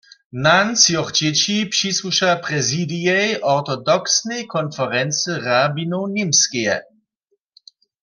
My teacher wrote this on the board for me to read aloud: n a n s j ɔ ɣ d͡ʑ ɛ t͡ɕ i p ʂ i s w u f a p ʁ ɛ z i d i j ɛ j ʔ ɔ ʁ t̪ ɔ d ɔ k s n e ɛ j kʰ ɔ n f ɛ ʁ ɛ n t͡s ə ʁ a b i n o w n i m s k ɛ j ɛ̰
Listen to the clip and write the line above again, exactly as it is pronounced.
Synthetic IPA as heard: n a n s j ɔ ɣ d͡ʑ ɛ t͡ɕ i p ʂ i s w u ʃ a p ʁ ɛ z i d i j ɛ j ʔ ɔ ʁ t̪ ɔ d ɔ k s n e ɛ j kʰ ɔ n f ɛ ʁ ɛ n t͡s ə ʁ a b i n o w n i m s k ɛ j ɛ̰